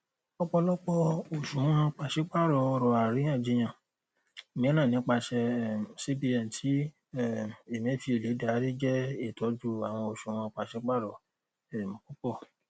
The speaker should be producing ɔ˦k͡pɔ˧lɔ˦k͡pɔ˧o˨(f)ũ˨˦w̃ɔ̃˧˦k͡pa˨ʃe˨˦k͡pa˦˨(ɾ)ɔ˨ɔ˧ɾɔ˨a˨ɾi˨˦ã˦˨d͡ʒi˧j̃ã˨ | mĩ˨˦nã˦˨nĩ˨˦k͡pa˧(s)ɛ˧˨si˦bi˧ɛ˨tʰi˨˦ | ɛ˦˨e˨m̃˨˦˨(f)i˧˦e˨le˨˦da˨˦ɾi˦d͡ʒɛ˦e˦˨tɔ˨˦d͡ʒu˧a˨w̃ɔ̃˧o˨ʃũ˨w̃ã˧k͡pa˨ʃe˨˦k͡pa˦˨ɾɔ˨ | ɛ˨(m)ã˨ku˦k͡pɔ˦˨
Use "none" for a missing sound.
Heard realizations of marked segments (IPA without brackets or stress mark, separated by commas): ʃ, ɾ, ʃ, f, m